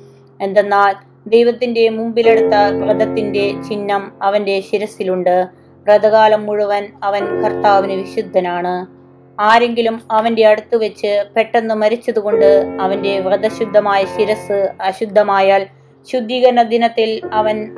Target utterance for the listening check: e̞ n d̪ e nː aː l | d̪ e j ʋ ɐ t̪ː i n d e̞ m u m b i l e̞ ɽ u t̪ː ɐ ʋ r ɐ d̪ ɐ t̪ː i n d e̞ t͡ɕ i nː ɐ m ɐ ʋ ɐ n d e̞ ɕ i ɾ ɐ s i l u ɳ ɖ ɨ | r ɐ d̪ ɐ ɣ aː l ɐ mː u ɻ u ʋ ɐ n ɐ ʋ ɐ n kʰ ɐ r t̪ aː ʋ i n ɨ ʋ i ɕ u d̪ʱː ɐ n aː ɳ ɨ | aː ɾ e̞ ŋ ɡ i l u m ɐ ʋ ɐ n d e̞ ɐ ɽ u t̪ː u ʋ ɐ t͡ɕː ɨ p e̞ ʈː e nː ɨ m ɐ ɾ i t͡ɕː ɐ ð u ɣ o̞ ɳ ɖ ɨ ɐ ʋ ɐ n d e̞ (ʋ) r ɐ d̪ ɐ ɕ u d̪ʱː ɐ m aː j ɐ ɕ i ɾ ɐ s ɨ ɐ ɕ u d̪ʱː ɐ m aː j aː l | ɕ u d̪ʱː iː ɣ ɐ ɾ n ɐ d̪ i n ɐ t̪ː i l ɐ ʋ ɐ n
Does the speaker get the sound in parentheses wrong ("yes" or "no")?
no